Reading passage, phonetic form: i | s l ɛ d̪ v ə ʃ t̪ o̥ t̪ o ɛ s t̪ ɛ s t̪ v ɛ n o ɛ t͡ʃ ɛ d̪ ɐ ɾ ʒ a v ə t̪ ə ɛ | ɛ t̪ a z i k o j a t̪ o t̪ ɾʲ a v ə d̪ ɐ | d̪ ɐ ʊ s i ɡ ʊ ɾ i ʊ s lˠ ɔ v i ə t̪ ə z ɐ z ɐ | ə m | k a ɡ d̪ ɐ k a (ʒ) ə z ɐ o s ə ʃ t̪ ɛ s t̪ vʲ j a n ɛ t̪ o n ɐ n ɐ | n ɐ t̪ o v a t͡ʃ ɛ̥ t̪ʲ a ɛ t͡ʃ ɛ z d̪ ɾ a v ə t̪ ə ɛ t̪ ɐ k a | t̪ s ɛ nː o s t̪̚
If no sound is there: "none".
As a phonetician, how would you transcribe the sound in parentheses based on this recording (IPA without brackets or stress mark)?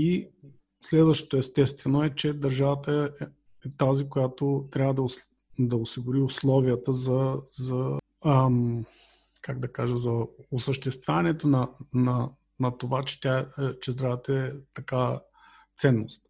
ʒ